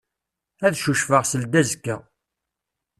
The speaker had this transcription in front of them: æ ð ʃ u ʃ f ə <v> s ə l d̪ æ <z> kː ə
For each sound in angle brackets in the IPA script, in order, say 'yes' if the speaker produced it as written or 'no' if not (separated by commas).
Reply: no, yes